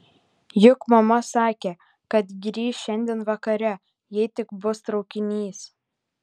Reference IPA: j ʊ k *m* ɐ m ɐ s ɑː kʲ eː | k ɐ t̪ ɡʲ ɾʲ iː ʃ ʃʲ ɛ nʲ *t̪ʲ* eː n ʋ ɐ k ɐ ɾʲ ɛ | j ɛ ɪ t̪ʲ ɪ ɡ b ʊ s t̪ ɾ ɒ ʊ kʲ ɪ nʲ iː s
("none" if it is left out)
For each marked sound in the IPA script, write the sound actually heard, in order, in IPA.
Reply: m, d̪ʲ

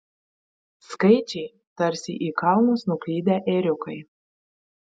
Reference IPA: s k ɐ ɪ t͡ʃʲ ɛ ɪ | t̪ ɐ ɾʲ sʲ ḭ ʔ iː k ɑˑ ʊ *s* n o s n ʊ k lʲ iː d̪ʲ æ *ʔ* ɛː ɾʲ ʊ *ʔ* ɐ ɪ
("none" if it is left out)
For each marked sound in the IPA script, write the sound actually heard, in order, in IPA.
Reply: none, ʔ, k

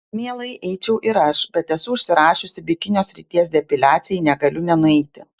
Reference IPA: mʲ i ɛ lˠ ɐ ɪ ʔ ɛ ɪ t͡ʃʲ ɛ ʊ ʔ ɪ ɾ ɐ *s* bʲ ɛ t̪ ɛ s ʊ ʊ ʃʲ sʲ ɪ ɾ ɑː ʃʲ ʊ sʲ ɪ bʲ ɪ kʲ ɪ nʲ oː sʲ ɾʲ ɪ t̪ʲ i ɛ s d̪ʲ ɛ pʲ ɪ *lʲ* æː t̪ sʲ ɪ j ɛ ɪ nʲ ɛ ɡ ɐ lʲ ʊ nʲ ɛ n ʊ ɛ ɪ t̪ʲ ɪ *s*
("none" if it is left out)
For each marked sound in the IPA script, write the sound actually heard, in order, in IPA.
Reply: ʃ, lʲ, none

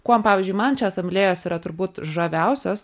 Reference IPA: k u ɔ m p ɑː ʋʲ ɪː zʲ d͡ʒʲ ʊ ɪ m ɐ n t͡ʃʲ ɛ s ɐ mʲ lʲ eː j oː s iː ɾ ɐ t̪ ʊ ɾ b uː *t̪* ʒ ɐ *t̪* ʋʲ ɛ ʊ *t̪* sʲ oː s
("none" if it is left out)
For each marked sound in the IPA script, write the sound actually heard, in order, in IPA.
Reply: t̪, none, none

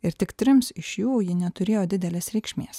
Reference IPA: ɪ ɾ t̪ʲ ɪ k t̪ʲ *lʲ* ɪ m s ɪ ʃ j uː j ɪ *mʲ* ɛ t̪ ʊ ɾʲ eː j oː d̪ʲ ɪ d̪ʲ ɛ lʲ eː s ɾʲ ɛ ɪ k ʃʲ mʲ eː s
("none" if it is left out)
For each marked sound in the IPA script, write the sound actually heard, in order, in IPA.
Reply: ɾʲ, nʲ

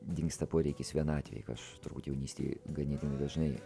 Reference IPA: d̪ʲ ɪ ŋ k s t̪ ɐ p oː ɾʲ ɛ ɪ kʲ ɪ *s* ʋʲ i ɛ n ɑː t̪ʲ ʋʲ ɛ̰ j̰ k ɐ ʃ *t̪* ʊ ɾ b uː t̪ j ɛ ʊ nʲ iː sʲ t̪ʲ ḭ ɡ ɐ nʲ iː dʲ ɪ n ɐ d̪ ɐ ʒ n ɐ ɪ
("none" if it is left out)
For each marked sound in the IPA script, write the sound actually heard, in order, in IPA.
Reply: s, t̪

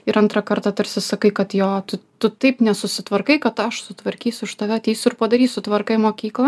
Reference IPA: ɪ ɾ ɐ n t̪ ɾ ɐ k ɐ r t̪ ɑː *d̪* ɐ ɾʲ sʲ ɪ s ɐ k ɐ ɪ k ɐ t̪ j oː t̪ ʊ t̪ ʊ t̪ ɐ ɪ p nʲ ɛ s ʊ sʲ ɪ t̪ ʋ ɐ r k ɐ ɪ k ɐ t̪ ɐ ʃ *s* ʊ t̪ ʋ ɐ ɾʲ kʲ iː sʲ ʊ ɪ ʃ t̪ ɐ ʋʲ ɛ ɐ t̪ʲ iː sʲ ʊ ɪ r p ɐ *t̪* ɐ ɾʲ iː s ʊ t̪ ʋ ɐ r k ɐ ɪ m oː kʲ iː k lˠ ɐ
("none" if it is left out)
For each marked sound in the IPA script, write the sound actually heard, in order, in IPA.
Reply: t̪, s, d̪

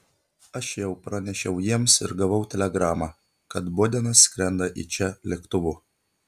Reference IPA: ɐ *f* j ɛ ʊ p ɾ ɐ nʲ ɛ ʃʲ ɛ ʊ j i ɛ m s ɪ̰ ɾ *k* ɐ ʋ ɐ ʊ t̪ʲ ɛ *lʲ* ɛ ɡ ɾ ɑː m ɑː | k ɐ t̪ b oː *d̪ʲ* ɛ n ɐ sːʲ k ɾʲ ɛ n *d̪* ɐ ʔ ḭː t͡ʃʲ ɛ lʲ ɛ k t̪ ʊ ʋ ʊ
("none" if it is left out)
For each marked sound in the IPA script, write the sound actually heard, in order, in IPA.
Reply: ʃ, ɡ, lʲ, d̪ʲ, d̪

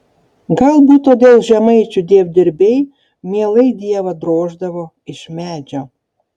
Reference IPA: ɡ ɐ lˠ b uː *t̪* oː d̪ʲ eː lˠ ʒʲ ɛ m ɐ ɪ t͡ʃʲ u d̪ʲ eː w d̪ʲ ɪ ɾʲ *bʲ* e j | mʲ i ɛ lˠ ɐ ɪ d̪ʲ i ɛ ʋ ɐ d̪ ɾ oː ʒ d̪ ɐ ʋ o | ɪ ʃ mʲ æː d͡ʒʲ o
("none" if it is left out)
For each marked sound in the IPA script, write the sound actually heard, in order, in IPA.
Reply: t̪, bʲ

